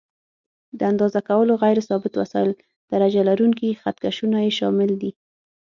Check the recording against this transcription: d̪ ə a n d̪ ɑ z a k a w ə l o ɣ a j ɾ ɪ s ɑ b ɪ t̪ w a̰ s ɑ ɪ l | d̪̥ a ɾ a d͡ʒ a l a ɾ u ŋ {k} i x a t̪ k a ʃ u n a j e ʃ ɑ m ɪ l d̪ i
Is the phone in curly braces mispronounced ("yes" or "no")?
no